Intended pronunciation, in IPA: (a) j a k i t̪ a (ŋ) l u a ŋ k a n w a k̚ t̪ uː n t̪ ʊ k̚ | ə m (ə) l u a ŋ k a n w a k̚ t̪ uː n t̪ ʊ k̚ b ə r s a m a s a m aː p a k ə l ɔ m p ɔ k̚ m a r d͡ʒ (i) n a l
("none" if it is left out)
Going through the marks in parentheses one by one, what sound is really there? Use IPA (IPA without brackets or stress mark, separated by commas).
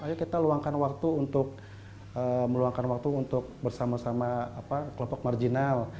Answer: a, none, ə, i